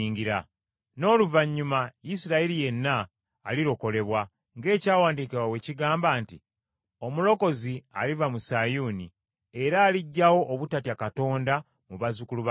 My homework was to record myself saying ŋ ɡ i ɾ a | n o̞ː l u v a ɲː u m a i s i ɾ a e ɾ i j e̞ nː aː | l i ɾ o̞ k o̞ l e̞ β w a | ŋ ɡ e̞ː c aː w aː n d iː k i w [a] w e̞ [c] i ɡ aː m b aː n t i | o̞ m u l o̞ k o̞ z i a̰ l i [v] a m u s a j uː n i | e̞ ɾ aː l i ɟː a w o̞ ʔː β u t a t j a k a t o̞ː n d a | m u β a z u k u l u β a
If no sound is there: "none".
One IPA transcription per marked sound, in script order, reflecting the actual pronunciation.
a, c, v

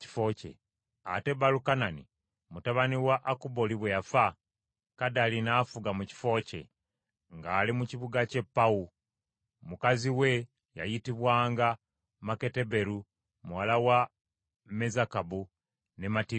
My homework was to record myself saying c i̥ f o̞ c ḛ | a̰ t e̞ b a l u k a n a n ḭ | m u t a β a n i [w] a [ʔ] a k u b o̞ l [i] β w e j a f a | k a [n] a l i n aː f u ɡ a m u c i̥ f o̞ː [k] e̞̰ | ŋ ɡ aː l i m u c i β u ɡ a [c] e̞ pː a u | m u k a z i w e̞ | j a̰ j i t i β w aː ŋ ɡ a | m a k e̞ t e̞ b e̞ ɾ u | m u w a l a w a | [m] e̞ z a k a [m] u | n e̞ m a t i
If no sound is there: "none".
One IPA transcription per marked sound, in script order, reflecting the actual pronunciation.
w, ʔ, i, d, c, c, m, b

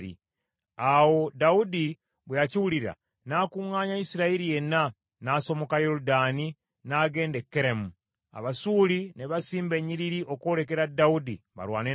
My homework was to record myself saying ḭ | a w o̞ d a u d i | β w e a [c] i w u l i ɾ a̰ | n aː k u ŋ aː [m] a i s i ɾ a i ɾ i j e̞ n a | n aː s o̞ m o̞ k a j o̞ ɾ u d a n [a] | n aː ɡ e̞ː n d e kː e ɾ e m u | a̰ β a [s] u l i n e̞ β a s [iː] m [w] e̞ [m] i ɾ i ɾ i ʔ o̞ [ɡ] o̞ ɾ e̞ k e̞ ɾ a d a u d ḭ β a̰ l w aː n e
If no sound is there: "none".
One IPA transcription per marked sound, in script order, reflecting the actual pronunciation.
c, ɲ, i, s, iː, b, ɲ, k

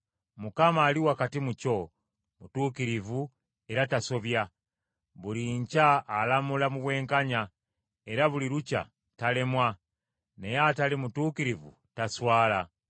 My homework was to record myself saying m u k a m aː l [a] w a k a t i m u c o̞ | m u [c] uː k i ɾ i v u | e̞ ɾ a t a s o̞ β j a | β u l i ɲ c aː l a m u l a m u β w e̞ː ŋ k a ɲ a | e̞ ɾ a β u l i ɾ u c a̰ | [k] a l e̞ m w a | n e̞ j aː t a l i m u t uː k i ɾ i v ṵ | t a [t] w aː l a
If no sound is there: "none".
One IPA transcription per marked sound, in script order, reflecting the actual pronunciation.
i, t, t, s

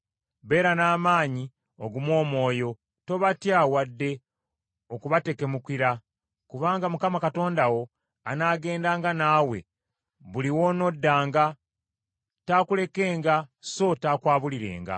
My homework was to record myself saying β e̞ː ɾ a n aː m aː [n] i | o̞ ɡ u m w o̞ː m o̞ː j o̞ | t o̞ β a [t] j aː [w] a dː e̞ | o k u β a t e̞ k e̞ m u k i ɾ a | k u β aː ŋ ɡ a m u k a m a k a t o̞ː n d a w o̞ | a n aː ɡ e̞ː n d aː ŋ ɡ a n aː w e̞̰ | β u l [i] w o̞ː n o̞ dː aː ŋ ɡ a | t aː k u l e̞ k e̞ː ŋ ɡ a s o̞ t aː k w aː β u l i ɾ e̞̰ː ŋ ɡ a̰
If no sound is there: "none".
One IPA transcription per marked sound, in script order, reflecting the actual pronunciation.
ɲ, t, w, i

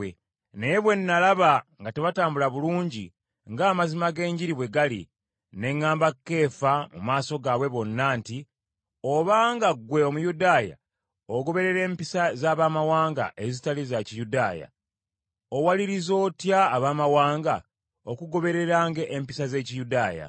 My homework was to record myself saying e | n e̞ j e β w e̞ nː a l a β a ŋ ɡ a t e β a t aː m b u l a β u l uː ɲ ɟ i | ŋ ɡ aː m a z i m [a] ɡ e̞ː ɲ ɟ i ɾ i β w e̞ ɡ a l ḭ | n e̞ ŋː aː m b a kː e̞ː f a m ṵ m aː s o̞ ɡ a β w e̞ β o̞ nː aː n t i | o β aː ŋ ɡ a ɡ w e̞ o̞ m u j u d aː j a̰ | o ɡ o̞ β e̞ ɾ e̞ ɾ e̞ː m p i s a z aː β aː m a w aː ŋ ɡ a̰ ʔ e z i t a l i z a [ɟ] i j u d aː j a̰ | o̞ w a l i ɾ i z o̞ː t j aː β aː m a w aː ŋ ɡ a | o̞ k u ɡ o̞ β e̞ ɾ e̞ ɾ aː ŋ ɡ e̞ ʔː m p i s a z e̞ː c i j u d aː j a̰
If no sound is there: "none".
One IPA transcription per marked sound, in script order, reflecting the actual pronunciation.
a, c

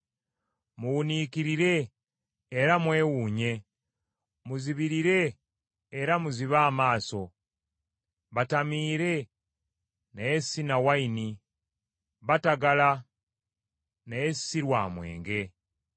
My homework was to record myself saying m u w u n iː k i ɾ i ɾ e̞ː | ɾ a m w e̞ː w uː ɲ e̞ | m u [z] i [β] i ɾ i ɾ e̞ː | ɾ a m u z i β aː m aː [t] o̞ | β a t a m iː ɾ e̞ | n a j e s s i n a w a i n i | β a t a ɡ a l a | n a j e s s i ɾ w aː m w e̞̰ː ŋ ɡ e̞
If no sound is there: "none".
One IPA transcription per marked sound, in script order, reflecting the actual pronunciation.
z, β, s

